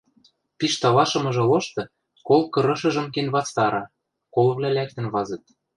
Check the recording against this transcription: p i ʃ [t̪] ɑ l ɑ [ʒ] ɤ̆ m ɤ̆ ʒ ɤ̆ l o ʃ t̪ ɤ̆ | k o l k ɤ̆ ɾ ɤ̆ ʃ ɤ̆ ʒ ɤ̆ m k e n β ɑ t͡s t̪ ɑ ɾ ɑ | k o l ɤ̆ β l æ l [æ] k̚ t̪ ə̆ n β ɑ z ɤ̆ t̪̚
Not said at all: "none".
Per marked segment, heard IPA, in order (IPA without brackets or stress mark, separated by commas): t̪, ʃ, æ